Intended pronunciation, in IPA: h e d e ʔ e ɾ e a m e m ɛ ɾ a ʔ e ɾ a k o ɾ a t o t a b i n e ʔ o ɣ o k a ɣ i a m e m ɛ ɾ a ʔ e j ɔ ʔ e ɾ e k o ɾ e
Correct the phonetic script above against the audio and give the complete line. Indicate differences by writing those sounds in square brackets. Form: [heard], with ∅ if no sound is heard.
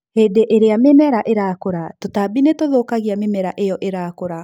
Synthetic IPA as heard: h e d e ʔ e ɾ e a m e m ɛ ɾ a ʔ e ɾ a k o ɾ a t o t a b i n e [t] o [ð] o k a ɣ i a m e m ɛ ɾ a ʔ e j ɔ ʔ e ɾ [a] k o ɾ [a]